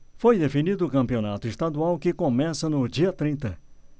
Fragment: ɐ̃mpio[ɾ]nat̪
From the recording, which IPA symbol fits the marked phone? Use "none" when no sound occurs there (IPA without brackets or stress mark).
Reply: none